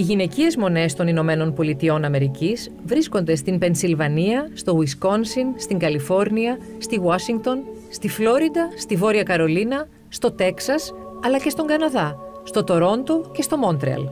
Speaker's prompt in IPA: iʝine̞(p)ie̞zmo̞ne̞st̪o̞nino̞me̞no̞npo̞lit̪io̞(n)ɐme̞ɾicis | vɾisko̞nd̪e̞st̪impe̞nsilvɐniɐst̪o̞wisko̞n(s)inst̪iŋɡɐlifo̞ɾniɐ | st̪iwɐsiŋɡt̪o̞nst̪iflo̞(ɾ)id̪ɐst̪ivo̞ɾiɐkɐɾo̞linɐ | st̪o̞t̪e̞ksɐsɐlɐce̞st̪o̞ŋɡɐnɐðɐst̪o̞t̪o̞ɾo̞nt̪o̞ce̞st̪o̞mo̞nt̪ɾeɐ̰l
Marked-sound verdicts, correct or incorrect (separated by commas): incorrect, correct, correct, correct